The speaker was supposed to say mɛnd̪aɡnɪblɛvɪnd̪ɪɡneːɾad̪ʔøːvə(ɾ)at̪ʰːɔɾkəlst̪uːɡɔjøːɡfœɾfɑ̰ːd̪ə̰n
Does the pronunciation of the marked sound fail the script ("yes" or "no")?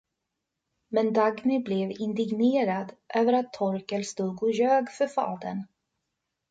no